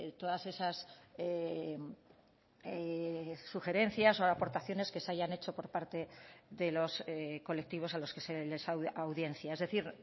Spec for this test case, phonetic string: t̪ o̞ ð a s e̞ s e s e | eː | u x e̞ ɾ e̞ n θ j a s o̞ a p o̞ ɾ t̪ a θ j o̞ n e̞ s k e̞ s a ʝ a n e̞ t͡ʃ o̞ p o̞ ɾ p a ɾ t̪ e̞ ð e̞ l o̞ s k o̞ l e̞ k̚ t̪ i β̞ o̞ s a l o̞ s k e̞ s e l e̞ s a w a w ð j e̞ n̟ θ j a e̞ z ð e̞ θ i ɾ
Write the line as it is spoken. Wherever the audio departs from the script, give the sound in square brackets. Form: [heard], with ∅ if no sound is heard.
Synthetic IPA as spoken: t̪ o̞ ð a s e̞ s [a] s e | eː | u x e̞ ɾ e̞ n θ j a s o̞ a p o̞ ɾ t̪ a θ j o̞ n e̞ s k e̞ s a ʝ a n e̞ t͡ʃ o̞ p o̞ ɾ p a ɾ t̪ e̞ ð e̞ l o̞ s k o̞ l e̞ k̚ t̪ i β̞ o̞ s a l o̞ s k e̞ s e l e̞ s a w a w ð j e̞ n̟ θ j a e̞ z ð e̞ θ i ɾ